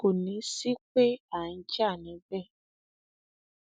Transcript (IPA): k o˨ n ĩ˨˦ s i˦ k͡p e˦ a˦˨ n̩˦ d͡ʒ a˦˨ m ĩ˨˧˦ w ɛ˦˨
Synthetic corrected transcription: k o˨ n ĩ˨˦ s i˦ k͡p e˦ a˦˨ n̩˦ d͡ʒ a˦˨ n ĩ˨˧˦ b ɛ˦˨

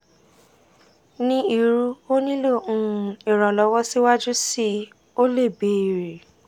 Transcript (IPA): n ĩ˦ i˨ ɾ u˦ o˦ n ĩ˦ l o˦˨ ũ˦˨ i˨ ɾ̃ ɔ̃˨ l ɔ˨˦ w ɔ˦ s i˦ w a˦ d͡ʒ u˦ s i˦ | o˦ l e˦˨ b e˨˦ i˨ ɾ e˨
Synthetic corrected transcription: n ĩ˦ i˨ ɾ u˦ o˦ n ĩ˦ l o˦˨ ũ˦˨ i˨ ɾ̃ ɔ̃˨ l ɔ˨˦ w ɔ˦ s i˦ w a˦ d͡ʒ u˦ s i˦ | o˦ l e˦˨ b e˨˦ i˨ ɾ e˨

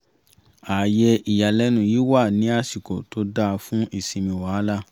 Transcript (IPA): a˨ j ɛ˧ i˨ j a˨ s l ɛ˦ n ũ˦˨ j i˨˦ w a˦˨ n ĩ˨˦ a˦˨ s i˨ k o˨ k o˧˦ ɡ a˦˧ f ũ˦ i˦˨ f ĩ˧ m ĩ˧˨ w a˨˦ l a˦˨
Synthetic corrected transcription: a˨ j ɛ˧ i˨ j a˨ l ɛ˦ n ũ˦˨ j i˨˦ w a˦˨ n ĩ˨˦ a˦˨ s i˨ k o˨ t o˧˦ d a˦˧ f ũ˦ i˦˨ s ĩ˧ m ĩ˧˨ w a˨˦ l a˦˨

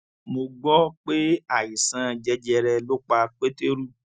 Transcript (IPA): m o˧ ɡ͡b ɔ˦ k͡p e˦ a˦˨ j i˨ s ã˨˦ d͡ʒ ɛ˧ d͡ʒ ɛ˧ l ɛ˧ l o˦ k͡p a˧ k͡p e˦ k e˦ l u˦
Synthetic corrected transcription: m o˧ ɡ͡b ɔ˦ k͡p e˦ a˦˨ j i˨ s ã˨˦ d͡ʒ ɛ˧ d͡ʒ ɛ˧ ɾ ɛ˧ l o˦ k͡p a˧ k͡p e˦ t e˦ ɾ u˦

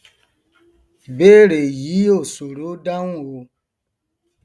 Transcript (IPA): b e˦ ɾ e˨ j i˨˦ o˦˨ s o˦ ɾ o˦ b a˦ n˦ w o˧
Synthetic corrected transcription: b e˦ ɾ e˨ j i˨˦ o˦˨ s o˨ ɾ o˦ d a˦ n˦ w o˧

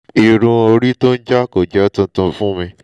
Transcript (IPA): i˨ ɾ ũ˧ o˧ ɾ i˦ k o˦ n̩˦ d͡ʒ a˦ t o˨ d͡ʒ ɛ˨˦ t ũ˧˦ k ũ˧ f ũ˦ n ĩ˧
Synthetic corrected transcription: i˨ ɾ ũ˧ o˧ ɾ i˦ t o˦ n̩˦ d͡ʒ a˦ k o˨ d͡ʒ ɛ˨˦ t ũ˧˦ t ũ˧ f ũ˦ m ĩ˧

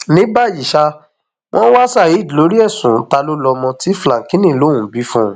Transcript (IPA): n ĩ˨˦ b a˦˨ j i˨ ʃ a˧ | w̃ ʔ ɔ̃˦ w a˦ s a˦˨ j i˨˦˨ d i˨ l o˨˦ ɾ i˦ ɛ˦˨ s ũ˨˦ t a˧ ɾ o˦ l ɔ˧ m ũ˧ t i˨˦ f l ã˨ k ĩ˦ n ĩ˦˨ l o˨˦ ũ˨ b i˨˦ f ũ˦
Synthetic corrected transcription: n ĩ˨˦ b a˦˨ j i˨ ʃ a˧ | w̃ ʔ ɔ̃˦ w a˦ s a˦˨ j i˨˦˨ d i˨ l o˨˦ ɾ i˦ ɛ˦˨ s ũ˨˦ t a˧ l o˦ l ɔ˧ m ɔ̃˧ t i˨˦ f l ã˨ k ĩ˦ n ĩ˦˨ l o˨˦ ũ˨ b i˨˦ f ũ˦

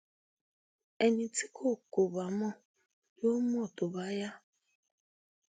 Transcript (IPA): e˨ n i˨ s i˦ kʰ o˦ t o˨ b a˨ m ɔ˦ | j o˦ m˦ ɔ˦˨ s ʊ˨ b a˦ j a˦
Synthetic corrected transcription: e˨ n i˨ t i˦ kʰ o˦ k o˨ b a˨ m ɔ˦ | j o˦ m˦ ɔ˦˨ t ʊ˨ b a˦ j a˦

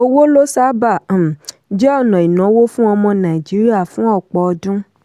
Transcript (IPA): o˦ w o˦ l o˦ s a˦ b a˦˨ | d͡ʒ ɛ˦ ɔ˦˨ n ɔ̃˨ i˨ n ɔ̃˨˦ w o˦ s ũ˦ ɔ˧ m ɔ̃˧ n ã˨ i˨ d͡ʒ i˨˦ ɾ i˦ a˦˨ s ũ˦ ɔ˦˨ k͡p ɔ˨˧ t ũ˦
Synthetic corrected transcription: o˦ w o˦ l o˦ s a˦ b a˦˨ | d͡ʒ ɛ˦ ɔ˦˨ n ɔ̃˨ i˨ n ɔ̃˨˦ w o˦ f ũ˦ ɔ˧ m ɔ̃˧ n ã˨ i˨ d͡ʒ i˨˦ ɾ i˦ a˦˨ f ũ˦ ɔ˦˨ k͡p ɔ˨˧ d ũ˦

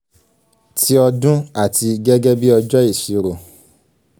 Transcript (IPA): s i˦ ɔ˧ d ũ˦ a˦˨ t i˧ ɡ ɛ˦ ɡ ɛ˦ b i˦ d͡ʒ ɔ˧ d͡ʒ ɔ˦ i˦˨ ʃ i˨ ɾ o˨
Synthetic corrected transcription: t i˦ ɔ˧ d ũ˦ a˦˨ t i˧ ɡ ɛ˦ ɡ ɛ˦ b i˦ ɔ˧ d͡ʒ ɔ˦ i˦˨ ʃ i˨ ɾ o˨

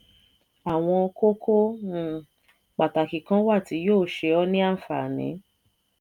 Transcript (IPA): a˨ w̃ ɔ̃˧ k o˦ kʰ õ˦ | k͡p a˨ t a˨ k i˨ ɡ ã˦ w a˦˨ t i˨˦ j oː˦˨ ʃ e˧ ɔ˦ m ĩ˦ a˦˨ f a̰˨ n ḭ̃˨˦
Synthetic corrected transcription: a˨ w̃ ɔ̃˧ k o˦ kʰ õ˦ | k͡p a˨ t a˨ k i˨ k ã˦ w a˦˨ t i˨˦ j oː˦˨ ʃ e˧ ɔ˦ n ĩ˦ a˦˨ f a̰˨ n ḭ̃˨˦

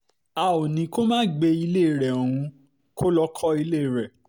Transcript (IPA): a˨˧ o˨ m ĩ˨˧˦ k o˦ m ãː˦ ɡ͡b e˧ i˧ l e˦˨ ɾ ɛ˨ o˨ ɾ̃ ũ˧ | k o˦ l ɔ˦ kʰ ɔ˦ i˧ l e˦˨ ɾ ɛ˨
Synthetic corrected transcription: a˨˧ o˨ n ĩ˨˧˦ k o˦ m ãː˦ ɡ͡b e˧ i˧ l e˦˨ ɾ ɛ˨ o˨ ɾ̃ ũ˧ | k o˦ l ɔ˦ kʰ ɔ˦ i˧ l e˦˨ ɾ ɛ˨

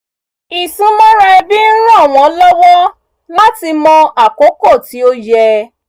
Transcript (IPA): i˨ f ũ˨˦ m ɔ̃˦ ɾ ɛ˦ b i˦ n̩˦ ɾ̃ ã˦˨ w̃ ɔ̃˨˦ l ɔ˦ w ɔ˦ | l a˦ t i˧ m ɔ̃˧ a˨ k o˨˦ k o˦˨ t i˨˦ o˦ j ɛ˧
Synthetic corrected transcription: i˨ s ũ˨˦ m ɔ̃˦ ɾ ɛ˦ b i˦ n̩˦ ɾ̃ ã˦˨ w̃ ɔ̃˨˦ l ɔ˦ w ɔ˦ | l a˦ t i˧ m ɔ̃˧ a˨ k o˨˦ k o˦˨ t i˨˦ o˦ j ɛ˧

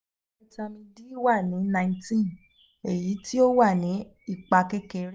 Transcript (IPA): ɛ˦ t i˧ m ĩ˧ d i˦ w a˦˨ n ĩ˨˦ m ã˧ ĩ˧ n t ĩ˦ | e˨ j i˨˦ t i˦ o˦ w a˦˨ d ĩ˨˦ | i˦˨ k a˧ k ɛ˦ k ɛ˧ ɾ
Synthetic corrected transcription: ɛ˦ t a˧ m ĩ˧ d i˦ w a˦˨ n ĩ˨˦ n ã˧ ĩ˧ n t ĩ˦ | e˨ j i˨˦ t i˦ o˦ w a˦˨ n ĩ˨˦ | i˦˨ k͡p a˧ k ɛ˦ k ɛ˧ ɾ

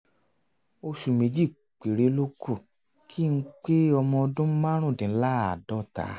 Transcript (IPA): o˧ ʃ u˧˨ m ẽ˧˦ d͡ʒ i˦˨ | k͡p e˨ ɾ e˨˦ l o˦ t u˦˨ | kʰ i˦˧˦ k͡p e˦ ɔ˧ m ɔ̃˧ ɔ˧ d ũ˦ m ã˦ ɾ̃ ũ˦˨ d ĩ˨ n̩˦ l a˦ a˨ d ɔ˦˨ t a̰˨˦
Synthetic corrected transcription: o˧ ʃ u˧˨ m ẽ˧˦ d͡ʒ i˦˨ | k͡p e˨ ɾ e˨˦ l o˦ k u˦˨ | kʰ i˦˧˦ k͡p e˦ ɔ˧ m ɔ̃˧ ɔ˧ d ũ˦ m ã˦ ɾ̃ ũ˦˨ d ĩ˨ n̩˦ l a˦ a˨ d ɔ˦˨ t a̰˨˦

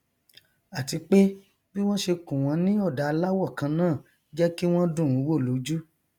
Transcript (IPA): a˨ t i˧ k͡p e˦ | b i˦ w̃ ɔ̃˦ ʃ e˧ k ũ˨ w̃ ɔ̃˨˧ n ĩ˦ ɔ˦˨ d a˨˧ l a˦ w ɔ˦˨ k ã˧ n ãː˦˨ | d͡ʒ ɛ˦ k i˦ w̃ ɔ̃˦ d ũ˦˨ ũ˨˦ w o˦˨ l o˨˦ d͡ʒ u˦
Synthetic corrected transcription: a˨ t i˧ k͡p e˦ | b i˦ w̃ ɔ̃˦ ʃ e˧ k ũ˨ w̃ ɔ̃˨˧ n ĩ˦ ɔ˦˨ d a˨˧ l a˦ w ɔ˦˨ k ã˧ n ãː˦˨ | d͡ʒ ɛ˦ k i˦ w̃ ɔ̃˦ d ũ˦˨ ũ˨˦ w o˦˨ l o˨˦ d͡ʒ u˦

